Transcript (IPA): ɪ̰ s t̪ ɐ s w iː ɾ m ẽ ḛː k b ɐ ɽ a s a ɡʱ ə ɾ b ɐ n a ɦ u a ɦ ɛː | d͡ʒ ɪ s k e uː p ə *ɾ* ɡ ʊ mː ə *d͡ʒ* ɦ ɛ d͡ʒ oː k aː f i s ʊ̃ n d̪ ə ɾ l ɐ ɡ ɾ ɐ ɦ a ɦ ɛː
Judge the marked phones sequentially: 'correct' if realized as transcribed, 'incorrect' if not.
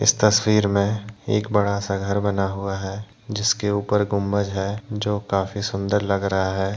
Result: correct, correct

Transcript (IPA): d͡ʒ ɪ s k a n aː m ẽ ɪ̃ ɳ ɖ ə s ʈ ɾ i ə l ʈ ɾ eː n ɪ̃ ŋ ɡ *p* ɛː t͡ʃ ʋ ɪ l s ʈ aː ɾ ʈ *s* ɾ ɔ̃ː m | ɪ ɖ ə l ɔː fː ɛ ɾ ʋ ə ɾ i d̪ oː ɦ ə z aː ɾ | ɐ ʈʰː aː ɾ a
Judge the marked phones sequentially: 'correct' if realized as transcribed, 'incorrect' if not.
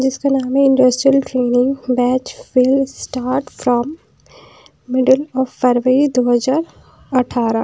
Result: incorrect, incorrect

